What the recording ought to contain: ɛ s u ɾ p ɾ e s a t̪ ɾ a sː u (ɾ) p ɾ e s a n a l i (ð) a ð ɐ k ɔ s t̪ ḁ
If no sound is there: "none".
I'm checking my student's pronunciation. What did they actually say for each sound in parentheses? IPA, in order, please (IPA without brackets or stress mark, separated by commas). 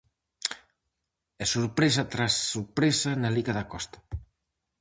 ɾ, ɣ